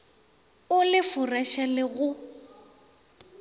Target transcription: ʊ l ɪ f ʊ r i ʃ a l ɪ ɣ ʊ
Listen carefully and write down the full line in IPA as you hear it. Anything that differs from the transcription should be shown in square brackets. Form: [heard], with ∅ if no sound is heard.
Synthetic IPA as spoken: ʊ l ɪ f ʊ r [a] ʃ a l ɪ ɣ ʊ